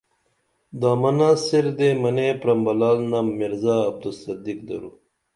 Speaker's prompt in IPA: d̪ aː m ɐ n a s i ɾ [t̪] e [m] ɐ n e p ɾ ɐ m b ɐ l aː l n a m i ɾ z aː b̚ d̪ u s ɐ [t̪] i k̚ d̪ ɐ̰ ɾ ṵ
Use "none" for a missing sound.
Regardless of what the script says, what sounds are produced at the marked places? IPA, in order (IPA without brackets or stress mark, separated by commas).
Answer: d̪, m, d̪